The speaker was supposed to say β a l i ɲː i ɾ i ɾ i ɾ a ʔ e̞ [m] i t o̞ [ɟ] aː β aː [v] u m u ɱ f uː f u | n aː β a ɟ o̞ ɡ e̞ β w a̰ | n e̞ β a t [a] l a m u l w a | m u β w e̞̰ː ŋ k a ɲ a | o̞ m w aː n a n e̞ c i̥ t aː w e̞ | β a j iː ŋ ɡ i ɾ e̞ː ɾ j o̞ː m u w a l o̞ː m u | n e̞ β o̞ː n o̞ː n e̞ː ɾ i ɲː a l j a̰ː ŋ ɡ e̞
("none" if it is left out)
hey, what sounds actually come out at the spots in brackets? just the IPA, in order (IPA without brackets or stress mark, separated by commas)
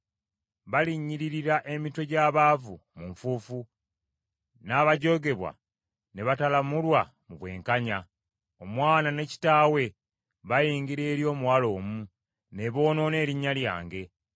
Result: m, ɟ, v, a